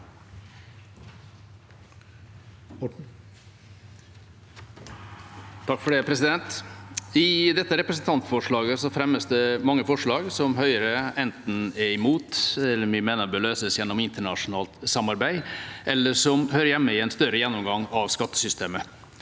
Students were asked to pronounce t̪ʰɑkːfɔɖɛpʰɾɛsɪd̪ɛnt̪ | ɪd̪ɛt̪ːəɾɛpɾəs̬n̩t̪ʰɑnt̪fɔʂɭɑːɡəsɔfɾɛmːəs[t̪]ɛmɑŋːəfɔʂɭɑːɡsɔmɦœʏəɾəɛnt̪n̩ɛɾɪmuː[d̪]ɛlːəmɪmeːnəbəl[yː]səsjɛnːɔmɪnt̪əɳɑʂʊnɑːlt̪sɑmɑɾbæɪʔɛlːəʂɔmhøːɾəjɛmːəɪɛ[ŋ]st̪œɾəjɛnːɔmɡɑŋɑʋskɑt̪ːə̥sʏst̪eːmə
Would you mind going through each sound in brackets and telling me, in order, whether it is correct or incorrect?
incorrect, incorrect, incorrect, incorrect

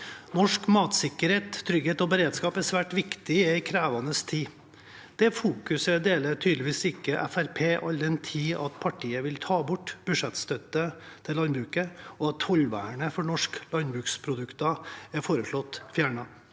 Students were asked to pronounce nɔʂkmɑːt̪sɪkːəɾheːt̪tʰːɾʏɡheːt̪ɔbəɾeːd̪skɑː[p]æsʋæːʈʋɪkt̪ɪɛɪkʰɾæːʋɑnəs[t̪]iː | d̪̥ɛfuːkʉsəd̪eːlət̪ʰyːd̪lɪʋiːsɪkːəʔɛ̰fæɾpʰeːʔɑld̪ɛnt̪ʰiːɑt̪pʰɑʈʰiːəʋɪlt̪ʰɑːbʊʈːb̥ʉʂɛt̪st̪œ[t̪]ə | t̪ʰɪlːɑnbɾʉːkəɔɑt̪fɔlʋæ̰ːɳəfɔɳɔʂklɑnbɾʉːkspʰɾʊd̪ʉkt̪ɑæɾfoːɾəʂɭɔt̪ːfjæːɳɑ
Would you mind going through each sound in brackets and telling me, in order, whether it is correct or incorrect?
correct, incorrect, correct

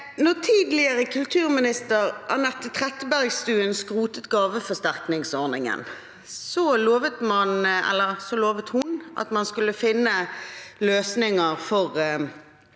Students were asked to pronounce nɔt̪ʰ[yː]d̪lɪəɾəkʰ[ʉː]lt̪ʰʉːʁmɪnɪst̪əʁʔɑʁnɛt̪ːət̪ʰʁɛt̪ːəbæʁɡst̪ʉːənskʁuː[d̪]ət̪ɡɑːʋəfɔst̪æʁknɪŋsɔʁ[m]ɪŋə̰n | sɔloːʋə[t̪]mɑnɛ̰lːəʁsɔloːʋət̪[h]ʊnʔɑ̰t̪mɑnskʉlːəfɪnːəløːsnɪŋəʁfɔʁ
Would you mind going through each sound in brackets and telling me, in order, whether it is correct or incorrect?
incorrect, incorrect, incorrect, incorrect, correct, correct

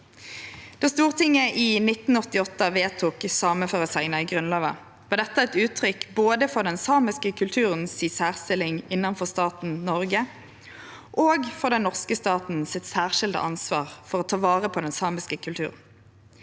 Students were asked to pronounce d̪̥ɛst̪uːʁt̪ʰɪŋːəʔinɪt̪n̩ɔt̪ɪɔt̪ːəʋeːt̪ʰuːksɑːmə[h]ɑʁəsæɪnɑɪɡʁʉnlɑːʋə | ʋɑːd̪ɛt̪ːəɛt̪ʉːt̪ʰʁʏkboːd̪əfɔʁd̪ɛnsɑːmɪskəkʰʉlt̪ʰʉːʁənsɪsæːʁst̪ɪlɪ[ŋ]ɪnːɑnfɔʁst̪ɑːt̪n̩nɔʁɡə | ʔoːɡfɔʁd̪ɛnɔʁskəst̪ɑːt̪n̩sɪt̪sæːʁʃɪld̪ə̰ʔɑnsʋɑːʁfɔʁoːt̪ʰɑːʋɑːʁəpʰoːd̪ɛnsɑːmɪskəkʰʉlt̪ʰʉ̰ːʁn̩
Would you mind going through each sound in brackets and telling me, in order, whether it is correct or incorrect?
incorrect, correct

